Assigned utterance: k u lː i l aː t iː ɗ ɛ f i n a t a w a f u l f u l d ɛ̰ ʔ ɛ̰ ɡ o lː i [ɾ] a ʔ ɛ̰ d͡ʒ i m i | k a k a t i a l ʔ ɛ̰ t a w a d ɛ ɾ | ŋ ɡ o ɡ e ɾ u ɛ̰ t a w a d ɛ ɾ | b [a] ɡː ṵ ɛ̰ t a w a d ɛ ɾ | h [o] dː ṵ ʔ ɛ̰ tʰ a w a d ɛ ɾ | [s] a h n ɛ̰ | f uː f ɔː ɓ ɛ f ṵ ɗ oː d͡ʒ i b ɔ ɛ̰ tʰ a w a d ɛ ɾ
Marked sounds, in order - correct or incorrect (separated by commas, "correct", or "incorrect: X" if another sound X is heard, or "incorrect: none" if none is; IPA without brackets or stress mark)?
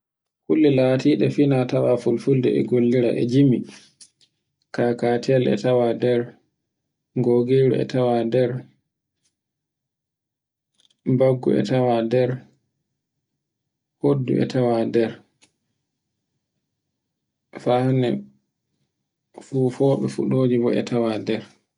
correct, correct, correct, incorrect: f